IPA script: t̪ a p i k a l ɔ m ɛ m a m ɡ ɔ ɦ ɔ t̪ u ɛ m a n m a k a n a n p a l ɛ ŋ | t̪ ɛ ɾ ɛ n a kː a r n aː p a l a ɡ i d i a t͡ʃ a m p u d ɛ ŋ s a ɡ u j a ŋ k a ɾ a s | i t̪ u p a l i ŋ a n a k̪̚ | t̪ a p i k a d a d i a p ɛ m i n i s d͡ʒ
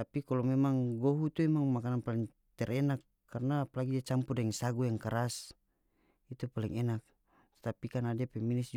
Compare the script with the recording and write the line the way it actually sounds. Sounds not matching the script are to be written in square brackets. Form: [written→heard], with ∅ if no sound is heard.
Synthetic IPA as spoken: t̪ a p i k a l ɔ m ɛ m a [m→ŋ] ɡ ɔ ɦ [ɔ→u] t̪ u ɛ m a [n→ŋ] m a k a n a n p a l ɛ ŋ | t̪ ɛ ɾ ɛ n a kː a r n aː p a l a ɡ i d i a t͡ʃ a m p u d ɛ ŋ s a ɡ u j a ŋ k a ɾ a s | i t̪ u p a l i ŋ [a→ɛ] n a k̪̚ | t̪ a p i k a [d→n] a d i a p ɛ m i n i s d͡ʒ